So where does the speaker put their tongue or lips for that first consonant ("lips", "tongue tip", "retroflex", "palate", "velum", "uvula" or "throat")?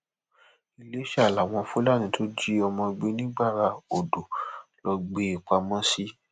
tongue tip